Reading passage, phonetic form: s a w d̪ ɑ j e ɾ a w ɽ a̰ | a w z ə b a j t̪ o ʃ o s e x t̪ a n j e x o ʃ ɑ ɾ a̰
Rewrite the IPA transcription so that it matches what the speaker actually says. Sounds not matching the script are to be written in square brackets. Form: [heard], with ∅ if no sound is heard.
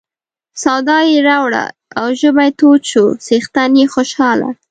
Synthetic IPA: s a w d̪ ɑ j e ɾ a w ɽ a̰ | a w [ʒ] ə b a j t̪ o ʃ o s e x t̪ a n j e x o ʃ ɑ [l] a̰